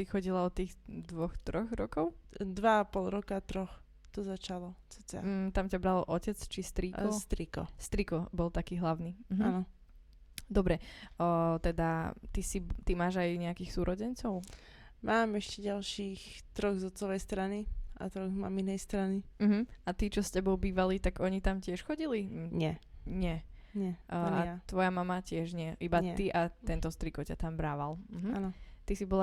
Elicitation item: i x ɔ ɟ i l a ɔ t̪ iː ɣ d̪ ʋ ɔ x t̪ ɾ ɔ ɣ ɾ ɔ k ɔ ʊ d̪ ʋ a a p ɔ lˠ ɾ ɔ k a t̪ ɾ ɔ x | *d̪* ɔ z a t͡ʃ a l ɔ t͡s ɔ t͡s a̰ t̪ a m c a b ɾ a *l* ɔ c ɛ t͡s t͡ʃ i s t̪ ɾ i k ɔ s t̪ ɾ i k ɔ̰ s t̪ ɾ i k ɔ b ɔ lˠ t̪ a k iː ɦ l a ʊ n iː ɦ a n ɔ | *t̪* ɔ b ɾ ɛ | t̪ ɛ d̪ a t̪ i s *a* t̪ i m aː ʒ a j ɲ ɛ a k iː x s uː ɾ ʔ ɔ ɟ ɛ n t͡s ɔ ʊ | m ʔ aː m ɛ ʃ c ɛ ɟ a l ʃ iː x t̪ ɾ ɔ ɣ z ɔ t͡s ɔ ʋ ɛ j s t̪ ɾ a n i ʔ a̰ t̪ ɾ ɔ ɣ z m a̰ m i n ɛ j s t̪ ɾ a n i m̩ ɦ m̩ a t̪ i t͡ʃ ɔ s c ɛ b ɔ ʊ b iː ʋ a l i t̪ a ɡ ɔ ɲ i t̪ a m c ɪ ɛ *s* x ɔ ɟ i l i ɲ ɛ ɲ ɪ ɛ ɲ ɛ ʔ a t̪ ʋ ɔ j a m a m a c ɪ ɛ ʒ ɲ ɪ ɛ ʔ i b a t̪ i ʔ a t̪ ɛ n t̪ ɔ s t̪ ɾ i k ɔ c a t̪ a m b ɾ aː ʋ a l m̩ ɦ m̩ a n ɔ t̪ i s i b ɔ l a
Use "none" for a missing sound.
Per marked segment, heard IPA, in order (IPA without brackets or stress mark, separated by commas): t̪, l, d̪, i, ʃ